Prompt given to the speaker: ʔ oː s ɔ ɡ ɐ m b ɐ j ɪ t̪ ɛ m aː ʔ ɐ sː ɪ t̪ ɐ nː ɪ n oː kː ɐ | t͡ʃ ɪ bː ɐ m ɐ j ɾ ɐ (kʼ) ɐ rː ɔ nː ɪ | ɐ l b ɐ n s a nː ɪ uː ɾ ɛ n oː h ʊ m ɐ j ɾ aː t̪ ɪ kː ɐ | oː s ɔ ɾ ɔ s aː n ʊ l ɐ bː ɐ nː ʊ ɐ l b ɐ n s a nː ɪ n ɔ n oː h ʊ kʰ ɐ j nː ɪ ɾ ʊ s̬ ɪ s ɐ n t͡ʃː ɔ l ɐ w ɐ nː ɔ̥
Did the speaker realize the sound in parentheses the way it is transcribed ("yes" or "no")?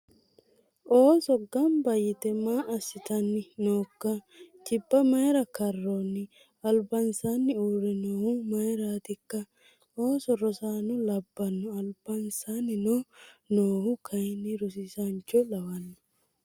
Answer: no